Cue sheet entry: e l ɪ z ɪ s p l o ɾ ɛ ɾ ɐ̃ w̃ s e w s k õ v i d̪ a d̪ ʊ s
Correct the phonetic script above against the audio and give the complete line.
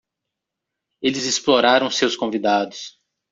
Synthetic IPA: e l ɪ z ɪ s p l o ɾ a ɾ ɐ̃ w̃ s e w s k õ v i d̪ a d̪ ʊ s